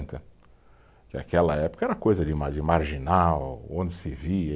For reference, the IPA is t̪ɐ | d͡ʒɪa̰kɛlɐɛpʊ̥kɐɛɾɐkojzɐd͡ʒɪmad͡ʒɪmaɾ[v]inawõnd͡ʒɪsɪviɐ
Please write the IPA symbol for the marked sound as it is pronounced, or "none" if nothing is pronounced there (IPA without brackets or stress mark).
ʒ